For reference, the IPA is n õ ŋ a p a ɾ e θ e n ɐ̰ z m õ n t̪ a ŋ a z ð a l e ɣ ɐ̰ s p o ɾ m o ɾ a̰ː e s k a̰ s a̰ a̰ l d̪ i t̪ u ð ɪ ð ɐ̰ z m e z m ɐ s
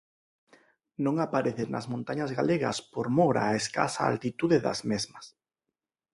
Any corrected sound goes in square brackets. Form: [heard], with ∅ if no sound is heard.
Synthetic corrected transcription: n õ ŋ a p a ɾ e θ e n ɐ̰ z m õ n t̪ a [ɲ] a z [ɣ] a l e ɣ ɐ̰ s p o ɾ m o ɾ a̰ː e s k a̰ s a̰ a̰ l [t̪] i t̪ u ð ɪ ð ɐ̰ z m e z m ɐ s